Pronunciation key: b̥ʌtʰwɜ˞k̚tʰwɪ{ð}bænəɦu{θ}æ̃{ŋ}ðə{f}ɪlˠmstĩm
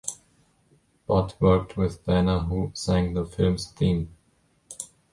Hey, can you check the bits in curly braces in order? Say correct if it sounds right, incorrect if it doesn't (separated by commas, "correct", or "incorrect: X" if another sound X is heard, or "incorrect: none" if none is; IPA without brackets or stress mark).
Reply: correct, incorrect: s, correct, correct